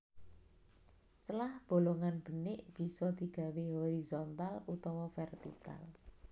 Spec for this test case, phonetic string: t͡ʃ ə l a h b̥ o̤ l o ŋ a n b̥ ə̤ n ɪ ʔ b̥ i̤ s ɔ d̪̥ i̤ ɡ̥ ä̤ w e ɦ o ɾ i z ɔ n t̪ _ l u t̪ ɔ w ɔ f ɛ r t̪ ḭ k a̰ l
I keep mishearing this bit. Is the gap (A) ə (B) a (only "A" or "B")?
B